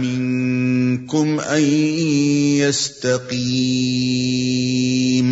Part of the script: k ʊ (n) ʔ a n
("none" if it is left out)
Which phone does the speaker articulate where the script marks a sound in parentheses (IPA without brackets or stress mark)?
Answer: m